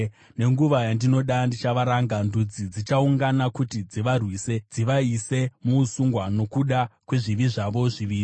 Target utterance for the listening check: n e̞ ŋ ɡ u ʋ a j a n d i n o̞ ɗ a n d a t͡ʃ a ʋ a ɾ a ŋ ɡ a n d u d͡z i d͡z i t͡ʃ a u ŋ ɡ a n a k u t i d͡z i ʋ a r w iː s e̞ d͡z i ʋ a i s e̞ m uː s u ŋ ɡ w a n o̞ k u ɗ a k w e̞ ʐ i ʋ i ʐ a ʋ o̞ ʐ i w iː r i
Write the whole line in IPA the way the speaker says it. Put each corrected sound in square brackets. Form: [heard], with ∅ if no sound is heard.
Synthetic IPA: n e̞ ŋ ɡ u ʋ a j a n d i n o̞ ɗ a n d [i] t͡ʃ a ʋ a ɾ a ŋ ɡ a n d u d͡z i d͡z i t͡ʃ a u ŋ ɡ a n a k u t i d͡z i ʋ a r w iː s e̞ d͡z i ʋ a i s e̞ m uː s u ŋ ɡ w a n o̞ k u ɗ a k w e̞ ʐ i ʋ i ʐ a ʋ o̞ ʐ i [ʋ] iː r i

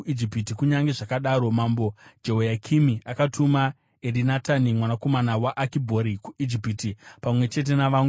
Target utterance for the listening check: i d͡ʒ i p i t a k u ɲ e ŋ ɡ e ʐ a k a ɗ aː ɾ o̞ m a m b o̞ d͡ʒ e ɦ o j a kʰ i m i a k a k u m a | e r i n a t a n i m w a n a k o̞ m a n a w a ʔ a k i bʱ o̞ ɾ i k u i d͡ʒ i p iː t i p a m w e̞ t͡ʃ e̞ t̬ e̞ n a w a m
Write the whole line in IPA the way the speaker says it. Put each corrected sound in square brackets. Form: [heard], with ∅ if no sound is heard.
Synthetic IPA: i d͡ʒ i p i t [i] k u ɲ [a] ŋ ɡ e ʐ a k a ɗ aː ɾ o̞ m a m b o̞ d͡ʒ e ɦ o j a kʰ i m i a k a [t] u m a | e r i n a t a n i m w a n a k o̞ m a n a w a ʔ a k i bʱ o̞ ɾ i k u i d͡ʒ i p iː t i p a m w e̞ t͡ʃ e̞ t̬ e̞ n a [ʋ] a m

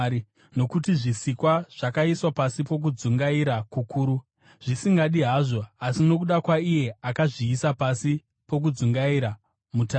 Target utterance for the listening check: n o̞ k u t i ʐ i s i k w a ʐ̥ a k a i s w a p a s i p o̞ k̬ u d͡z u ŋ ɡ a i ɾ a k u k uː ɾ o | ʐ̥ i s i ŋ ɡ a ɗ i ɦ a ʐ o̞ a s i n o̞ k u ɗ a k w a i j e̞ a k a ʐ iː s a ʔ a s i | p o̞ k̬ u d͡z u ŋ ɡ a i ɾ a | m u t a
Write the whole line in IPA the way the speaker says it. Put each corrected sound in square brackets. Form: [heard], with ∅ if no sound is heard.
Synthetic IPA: n o̞ k u t i ʐ i s i k w a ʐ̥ a k a i s w a p a s i p o̞ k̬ u d͡z u ŋ ɡ a i ɾ a k u k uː ɾ [u] | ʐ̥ i s i ŋ ɡ a ɗ i ɦ a ʐ o̞ a s i n o̞ k u ɗ a k w a i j e̞ a k a ʐ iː s a [p] a s i | p o̞ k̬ u d͡z u ŋ ɡ a i ɾ a | m u t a

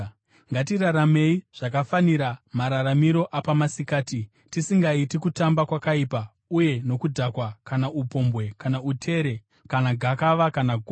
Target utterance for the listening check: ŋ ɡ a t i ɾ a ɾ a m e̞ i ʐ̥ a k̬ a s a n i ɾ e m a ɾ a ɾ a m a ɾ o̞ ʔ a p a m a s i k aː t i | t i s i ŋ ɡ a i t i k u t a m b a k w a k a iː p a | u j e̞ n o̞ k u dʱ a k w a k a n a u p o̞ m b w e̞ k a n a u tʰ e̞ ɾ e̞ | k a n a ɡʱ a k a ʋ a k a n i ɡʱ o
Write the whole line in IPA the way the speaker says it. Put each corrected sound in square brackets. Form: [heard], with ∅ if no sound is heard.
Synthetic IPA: ŋ ɡ a t i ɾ a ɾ a m e̞ i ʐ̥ a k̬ a [f] a n i ɾ [a] m a ɾ a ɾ a m [i] ɾ o̞ ʔ a p a m a s i k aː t i | t i s i ŋ ɡ a i t i k u t a m b a k w a k a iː p a | u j e̞ n o̞ k u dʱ a k w a k a n a u p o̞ m b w e̞ k a n a u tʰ e̞ ɾ e̞ | k a n a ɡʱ a k a ʋ a k a n [a] ɡʱ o

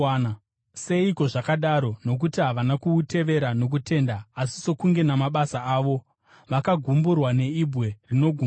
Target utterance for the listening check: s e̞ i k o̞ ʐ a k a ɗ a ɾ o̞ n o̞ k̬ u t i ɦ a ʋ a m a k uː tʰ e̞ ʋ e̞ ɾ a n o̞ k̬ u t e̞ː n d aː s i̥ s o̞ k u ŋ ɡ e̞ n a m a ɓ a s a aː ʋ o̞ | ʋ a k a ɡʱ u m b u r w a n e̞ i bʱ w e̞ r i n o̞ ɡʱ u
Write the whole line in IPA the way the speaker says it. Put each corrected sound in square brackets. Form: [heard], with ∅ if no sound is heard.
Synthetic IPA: s e̞ i k o̞ ʐ a k a ɗ a ɾ o̞ n o̞ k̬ u t i ɦ a ʋ a [n] a k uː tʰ e̞ ʋ e̞ ɾ a n o̞ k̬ u t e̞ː n d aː s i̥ s o̞ k u ŋ ɡ e̞ n a m a ɓ a s a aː ʋ o̞ | ʋ a k a ɡʱ u m b u r w a n e̞ i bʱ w e̞ r i n o̞ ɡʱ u

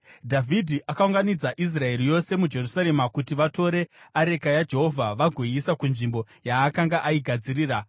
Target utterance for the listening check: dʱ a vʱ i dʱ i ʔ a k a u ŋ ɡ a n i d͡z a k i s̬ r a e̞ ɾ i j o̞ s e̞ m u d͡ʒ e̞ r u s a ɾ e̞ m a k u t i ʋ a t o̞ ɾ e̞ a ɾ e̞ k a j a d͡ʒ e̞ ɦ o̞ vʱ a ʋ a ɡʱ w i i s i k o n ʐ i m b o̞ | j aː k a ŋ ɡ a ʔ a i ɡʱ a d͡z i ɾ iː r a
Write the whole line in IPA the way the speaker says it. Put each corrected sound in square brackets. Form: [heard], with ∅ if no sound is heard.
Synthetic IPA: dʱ a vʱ i dʱ i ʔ a k a u ŋ ɡ a n i d͡z a [ʔ] i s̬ r a e̞ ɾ i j o̞ s e̞ m u d͡ʒ e̞ r u s a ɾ e̞ m a k u t i ʋ a t o̞ ɾ e̞ a ɾ e̞ k a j a d͡ʒ e̞ ɦ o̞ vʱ a ʋ a ɡʱ w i i s [a] k [u] n ʐ i m b o̞ | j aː k a ŋ ɡ a ʔ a i ɡʱ a d͡z i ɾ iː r a

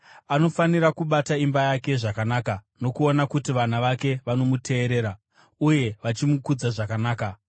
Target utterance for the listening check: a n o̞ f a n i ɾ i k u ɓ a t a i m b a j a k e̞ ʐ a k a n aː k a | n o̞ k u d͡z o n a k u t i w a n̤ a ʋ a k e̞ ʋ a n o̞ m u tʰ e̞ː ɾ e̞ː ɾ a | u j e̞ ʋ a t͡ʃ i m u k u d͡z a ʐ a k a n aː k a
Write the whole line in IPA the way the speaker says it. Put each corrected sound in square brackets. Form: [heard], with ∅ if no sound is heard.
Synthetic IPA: a n o̞ f a n i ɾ [a] k u ɓ a t a i m b a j a k e̞ ʐ a k a n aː k a | n o̞ k u [∅] o n a k u t i [ʋ] a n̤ a ʋ a k e̞ ʋ a n o̞ m u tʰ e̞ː ɾ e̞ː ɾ a | u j e̞ ʋ a t͡ʃ i m u k u d͡z a ʐ a k a n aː k a

